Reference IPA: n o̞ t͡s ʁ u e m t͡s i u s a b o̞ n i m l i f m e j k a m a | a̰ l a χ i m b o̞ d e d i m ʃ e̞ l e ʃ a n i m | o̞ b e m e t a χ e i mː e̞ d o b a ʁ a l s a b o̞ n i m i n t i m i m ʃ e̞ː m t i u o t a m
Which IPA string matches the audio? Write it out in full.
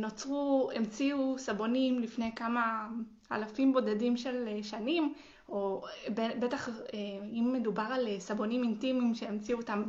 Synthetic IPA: n o̞ t͡s ʁ u e m t͡s i u s a b o̞ n i m l i f n e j k a m a | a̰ l a f i m b o̞ d e d i m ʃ e̞ l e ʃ a n i m | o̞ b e b e t a χ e i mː e̞ d u b a ʁ a l s a b o̞ n i m i n t i m i m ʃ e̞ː m t͡s i u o t a m